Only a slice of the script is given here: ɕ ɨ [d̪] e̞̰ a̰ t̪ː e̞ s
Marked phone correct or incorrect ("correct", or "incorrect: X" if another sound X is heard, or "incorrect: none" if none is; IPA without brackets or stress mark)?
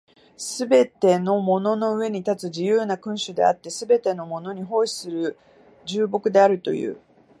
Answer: correct